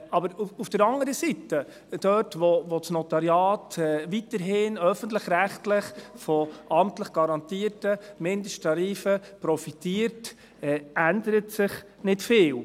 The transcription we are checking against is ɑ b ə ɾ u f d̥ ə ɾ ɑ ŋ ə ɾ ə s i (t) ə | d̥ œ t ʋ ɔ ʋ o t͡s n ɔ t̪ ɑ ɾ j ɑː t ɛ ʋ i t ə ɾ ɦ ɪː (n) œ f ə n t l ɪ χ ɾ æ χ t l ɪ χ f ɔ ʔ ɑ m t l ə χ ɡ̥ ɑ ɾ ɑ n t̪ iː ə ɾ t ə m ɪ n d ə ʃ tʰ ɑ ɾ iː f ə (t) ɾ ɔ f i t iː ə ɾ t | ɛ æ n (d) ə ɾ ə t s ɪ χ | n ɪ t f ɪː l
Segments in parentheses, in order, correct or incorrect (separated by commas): correct, correct, incorrect, correct